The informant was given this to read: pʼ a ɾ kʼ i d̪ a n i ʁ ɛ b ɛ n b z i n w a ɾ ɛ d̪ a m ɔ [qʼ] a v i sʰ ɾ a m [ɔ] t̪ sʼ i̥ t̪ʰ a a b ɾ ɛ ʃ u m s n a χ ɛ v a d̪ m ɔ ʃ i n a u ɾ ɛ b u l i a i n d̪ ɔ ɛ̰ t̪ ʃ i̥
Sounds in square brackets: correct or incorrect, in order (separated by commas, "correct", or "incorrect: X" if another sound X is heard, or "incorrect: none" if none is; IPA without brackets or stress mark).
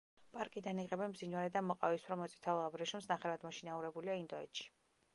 correct, correct